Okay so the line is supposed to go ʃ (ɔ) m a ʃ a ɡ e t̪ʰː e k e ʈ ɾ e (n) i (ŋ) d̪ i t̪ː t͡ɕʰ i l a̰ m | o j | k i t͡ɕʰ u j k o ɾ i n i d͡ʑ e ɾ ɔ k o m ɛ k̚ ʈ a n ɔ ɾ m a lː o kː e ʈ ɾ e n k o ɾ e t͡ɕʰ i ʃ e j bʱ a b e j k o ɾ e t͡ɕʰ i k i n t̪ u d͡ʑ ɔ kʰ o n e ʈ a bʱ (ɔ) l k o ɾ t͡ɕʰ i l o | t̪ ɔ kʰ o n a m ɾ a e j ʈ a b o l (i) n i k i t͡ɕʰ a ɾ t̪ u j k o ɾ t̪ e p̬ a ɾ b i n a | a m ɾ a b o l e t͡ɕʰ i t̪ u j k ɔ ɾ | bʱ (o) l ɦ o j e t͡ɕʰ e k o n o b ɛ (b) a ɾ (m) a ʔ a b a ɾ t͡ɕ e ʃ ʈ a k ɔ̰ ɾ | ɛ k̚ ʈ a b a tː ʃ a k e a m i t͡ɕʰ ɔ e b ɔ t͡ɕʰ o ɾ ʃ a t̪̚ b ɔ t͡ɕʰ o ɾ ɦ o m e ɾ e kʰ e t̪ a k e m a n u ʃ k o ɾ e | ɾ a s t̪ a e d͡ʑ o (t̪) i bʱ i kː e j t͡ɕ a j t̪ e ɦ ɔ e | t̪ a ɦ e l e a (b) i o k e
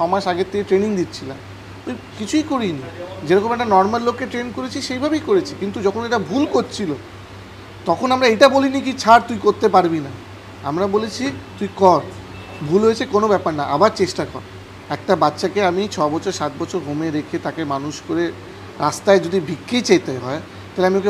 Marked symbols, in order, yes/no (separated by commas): yes, yes, yes, no, yes, no, no, no, no, no